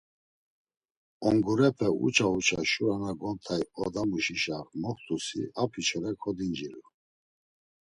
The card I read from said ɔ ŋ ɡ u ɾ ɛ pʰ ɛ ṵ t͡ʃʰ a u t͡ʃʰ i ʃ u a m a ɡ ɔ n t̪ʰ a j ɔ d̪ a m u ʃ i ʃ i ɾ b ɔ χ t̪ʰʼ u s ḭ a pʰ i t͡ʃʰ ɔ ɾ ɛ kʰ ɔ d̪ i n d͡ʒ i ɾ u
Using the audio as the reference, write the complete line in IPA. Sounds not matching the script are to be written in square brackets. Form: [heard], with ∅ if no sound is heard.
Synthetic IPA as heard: ɔ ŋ ɡ u ɾ ɛ pʰ ɛ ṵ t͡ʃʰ a u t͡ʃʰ [a] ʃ u a [n] a ɡ ɔ n t̪ʰ a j ɔ d̪ a m u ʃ i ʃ [a] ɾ [m] ɔ χ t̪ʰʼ u s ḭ a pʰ i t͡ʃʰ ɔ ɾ ɛ kʰ ɔ d̪ i n d͡ʒ i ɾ u